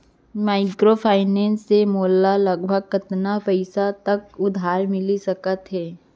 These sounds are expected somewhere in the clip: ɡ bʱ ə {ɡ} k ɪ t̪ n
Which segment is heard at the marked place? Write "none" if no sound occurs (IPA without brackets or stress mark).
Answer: ɡ